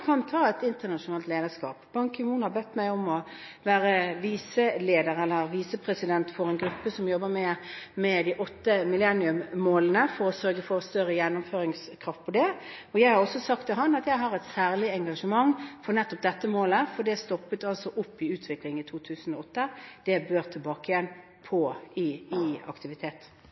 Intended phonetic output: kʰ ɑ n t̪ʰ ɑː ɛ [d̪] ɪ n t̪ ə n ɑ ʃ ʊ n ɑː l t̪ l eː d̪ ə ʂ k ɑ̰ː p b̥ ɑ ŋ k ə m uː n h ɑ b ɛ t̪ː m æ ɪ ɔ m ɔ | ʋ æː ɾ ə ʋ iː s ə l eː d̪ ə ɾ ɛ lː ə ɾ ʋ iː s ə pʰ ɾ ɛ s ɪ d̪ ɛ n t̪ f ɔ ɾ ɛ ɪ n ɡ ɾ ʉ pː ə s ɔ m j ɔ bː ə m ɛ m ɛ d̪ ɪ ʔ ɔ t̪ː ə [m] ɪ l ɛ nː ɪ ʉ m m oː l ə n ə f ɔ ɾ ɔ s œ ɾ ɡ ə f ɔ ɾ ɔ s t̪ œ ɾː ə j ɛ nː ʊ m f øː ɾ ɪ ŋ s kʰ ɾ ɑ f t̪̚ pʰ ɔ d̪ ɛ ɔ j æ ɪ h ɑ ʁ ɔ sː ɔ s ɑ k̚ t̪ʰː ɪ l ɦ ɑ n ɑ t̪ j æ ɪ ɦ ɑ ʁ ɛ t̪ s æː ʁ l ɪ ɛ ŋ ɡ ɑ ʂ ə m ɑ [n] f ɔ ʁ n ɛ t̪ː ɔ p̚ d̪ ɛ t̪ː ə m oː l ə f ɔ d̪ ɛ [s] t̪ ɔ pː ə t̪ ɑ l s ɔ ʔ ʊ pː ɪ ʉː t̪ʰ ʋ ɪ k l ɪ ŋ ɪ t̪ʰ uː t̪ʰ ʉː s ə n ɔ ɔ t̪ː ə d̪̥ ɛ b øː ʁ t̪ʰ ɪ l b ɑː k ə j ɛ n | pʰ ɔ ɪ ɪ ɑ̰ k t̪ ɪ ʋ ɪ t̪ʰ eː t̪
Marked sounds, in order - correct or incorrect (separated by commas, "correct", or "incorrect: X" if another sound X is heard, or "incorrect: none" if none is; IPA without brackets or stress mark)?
incorrect: t̪, correct, incorrect: ŋ, correct